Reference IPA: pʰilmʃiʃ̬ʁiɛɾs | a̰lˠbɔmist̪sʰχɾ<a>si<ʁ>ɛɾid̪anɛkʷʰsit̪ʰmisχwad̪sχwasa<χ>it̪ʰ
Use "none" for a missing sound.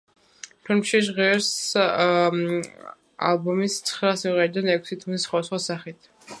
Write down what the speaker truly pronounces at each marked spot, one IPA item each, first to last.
a, ʁ, χ

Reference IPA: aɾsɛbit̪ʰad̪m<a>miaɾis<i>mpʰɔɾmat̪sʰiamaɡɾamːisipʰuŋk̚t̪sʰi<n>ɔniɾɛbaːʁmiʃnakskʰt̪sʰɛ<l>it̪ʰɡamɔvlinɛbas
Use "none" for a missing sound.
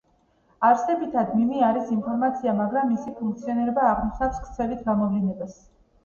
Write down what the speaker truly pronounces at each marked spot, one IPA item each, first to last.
i, i, none, l

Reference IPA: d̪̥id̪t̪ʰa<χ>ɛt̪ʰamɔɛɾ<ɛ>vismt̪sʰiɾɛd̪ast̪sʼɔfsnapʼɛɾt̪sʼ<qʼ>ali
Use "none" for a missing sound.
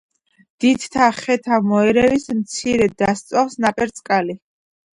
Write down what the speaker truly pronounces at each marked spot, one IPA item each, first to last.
χ, ɛ, kʼ

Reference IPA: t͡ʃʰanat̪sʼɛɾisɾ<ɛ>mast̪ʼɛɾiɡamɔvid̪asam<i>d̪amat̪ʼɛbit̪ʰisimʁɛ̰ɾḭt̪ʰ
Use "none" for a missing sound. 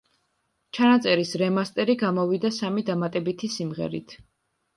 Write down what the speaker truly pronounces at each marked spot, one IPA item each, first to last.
ɛ, i

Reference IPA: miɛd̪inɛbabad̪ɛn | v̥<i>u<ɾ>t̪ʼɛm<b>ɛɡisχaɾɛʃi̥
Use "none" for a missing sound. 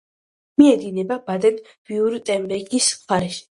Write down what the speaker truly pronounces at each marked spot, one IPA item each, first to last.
i, ɾ, b

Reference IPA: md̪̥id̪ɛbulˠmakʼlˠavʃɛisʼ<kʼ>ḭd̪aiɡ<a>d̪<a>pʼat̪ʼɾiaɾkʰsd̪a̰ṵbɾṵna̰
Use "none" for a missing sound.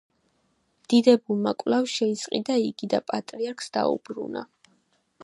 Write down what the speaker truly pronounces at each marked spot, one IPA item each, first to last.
qʼ, i, a

